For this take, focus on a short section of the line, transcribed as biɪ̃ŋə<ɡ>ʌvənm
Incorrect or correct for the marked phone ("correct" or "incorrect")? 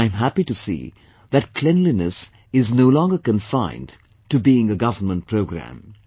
correct